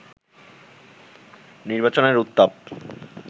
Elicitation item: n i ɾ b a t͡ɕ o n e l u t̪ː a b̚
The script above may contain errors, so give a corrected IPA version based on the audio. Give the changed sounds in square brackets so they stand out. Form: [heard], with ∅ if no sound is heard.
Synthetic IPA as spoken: n i ɾ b a t͡ɕ o n e [ɾ] u t̪ː a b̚